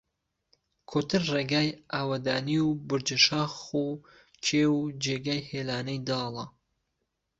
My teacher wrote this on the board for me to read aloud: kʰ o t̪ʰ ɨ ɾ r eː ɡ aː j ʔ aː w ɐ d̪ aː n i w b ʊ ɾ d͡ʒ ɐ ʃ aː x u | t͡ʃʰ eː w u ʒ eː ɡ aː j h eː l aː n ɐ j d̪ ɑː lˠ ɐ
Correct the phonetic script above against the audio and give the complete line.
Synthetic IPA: kʰ o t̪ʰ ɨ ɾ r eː ɡ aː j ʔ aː w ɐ d̪ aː n i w b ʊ ɾ d͡ʒ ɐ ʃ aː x u | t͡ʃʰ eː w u d͡ʒ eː ɡ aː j h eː l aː n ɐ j d̪ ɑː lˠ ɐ